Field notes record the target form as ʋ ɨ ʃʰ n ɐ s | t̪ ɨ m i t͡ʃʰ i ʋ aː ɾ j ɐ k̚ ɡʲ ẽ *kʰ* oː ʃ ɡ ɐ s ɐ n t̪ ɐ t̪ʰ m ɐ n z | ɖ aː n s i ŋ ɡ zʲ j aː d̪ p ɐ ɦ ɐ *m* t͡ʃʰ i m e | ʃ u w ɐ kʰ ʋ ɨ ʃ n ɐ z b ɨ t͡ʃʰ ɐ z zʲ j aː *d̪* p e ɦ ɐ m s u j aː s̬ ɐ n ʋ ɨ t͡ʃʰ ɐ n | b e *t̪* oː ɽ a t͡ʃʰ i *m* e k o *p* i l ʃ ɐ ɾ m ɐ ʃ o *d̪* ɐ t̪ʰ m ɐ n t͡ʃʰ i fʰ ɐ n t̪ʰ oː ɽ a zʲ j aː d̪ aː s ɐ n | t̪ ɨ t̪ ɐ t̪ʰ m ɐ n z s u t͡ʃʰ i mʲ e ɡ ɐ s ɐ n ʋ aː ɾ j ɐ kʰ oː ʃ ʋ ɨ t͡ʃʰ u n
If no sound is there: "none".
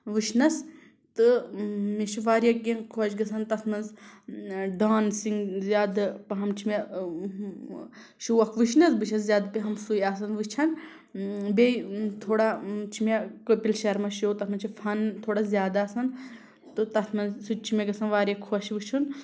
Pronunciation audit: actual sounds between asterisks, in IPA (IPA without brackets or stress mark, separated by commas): kʰ, m, d̪, t̪ʰ, m, p, t̪